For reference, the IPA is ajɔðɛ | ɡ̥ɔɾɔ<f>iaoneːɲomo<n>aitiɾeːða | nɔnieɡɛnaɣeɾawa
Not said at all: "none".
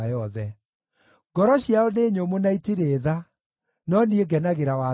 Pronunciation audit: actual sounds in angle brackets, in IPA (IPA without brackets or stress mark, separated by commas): ɕ, n